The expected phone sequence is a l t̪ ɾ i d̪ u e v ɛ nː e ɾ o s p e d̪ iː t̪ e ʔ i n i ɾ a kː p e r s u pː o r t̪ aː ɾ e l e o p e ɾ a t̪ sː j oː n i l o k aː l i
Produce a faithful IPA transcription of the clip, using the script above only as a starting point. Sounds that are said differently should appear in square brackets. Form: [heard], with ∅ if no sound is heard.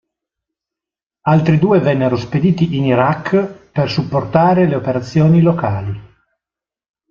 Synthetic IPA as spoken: a l t̪ ɾ i d̪ [uː] e v ɛ nː e ɾ o s p e d̪ iː t̪ [i] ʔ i n i ɾ a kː p e r s u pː o r t̪ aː ɾ e l e o p e ɾ a t̪ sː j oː n i l o k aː l i

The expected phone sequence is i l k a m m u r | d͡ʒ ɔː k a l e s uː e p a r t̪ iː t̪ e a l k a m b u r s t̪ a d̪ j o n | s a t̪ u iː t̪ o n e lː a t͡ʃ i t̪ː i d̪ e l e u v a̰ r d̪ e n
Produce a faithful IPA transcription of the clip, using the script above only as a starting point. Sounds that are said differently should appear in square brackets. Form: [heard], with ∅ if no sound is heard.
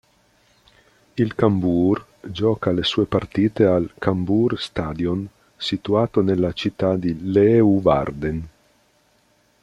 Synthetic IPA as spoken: i l k a m [b] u r | d͡ʒ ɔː k a l e s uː e p a r t̪ iː t̪ e a l k a m b u r s t̪ a d̪ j o n | s [i] t̪ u [aː] t̪ o n e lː a t͡ʃ i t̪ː [a] d̪ [i] l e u v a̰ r d̪ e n

